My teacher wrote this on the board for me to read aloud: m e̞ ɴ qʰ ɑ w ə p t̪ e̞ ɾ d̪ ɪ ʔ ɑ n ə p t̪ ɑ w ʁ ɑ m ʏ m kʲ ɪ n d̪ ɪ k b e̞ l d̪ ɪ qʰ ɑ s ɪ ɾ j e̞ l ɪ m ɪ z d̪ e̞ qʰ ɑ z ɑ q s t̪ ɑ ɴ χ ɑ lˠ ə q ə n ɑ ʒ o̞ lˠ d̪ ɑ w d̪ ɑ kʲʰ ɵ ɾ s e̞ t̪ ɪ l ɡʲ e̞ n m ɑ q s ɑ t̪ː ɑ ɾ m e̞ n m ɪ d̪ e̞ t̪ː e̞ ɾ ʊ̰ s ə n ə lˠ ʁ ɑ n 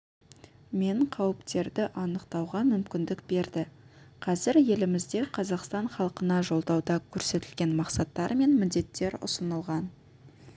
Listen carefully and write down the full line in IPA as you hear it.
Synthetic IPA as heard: m e̞ ɴ qʰ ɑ w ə p t̪ e̞ ɾ d̪ ɪ ʔ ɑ n ə q t̪ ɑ w ʁ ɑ m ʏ m kʲ ɪ n d̪ ɪ k b e̞ ɾ d̪ ɪ qʰ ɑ z ɪ ɾ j e̞ l ɪ m ɪ z d̪ e̞ qʰ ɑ z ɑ q s t̪ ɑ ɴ χ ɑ lˠ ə q ə n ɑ ʒ o̞ lˠ d̪ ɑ w d̪ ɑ kʲʰ ɵ ɾ s e̞ t̪ ɪ l ɡʲ e̞ n m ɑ q s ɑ t̪ː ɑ ɾ m e̞ n m ɪ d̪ e̞ t̪ː e̞ ɾ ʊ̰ s ə n ə lˠ ʁ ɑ n